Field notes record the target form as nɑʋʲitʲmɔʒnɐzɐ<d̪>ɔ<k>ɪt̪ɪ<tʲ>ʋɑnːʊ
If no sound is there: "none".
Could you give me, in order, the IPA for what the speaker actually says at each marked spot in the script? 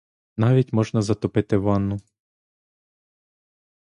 t̪, p, none

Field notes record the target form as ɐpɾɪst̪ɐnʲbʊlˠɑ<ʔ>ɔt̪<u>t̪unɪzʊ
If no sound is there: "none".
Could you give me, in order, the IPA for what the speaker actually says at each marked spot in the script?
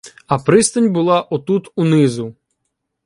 ʔ, u

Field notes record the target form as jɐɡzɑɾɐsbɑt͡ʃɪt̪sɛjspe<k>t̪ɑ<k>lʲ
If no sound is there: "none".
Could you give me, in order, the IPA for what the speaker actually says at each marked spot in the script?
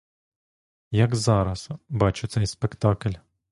k, k

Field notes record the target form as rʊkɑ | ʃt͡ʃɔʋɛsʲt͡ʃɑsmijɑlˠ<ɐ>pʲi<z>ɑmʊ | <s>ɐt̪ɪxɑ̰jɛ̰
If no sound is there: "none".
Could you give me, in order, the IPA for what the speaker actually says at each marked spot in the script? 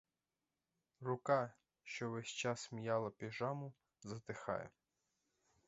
ɐ, ʒ, z

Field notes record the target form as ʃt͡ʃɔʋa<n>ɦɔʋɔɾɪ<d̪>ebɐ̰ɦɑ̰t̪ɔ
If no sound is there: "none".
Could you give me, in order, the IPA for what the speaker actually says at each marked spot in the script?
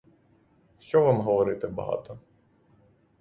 m, t̪

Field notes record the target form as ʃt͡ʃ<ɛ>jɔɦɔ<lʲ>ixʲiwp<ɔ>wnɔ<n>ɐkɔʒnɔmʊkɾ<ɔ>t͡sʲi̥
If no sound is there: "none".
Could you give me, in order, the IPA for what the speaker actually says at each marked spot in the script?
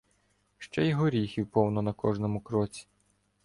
ɛ, ɾʲ, ɔ, n, ɔ

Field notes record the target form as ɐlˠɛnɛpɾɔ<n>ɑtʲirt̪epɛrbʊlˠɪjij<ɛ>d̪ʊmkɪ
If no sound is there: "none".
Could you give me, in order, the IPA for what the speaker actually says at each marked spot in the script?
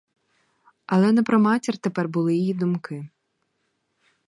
m, i

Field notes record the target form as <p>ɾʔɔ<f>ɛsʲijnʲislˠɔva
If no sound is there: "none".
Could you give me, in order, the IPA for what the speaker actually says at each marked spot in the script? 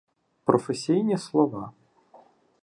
p, f

